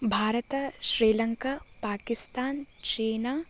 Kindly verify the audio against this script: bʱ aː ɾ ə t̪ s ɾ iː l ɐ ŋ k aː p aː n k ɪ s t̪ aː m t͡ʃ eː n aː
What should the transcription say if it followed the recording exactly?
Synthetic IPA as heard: bʱ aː ɾ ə t̪ ʃ ɾ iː l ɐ ŋ k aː p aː k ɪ s t̪ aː n t͡ʃ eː n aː